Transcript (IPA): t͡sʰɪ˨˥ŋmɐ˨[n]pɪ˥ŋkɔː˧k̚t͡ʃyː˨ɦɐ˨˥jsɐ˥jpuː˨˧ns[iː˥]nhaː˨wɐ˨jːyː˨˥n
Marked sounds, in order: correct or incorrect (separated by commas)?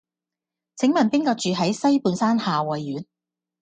correct, incorrect